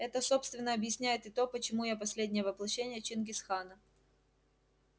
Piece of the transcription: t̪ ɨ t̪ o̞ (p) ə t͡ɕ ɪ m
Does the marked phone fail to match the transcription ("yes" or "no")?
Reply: no